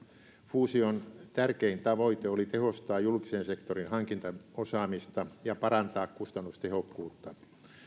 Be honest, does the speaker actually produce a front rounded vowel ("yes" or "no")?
no